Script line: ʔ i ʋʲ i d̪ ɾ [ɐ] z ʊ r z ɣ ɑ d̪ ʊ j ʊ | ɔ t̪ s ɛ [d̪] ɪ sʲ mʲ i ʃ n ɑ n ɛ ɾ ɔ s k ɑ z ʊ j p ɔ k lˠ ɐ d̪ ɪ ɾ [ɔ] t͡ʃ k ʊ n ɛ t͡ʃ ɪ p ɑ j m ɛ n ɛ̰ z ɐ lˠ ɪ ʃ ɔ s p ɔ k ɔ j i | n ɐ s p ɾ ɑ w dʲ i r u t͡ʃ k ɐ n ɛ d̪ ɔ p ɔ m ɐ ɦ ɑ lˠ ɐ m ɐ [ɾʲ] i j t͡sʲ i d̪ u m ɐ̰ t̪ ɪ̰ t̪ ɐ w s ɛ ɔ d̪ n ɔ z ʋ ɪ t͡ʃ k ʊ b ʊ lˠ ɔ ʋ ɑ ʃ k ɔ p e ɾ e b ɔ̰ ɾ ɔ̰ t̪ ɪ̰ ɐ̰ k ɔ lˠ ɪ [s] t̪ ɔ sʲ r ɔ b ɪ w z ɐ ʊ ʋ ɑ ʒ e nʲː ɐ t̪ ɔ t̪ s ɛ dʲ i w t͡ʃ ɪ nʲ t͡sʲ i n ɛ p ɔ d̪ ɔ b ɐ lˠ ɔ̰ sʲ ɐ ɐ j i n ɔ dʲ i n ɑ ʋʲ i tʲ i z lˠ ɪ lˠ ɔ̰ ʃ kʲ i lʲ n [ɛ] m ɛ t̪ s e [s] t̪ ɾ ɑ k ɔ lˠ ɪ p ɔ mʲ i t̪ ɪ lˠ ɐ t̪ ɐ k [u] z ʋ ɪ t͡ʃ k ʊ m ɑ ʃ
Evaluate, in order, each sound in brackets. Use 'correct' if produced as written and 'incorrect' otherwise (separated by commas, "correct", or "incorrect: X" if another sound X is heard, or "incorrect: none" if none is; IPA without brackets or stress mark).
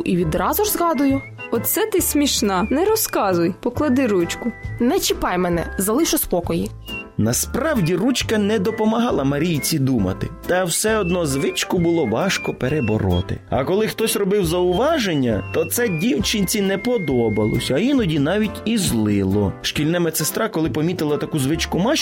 incorrect: ɑ, incorrect: t̪, incorrect: u, correct, incorrect: x, correct, correct, correct